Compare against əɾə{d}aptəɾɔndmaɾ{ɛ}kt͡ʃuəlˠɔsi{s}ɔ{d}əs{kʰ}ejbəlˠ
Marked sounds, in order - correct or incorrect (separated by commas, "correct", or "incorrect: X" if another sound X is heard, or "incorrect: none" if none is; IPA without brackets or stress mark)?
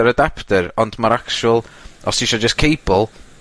correct, incorrect: a, incorrect: ʃ, incorrect: d͡ʒ, correct